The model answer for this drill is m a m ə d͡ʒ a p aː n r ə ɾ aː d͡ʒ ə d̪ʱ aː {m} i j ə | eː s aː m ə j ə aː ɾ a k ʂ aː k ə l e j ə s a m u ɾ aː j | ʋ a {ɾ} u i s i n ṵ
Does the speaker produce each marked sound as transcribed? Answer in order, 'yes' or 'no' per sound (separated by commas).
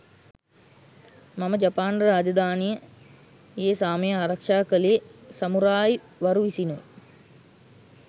no, yes